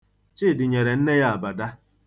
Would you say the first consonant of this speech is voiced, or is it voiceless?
voiceless